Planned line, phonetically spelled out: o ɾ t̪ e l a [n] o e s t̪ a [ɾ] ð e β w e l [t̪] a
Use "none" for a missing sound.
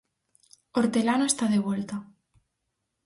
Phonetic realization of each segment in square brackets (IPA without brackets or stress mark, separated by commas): n, none, t̪